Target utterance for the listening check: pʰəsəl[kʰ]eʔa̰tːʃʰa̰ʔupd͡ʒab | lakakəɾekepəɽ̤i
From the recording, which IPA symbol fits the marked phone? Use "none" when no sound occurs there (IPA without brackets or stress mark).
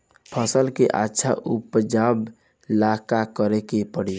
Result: k